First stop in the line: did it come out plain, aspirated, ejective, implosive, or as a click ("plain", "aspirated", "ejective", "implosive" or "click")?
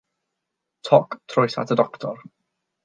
aspirated